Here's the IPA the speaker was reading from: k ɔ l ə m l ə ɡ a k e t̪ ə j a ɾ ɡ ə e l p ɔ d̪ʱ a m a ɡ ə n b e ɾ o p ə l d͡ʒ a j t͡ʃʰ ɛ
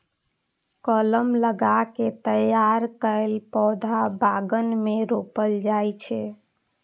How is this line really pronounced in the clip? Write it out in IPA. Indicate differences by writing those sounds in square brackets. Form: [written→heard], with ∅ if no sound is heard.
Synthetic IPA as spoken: k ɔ l ə m l ə ɡ a k e t̪ ə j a ɾ [ɡ→k] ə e l p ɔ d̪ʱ a [m→b] a ɡ ə n [b→m] e ɾ o p ə l d͡ʒ a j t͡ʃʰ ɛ